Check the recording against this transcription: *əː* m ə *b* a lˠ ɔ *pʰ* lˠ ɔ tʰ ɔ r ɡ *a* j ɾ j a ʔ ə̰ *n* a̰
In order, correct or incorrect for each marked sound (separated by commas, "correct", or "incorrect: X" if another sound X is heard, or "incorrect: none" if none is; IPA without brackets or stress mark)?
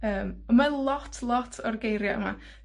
correct, incorrect: m, incorrect: tʰ, incorrect: e, incorrect: m